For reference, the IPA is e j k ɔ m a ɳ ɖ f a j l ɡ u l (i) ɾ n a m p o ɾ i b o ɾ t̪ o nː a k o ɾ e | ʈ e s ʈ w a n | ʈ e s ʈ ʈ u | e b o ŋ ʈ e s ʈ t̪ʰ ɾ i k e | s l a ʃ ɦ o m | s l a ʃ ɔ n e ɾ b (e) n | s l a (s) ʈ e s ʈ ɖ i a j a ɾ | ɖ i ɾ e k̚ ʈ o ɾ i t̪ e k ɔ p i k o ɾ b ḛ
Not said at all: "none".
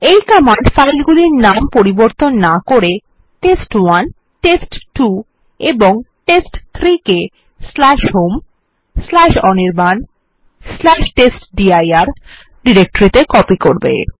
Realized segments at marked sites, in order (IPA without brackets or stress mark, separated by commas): i, a, ʃ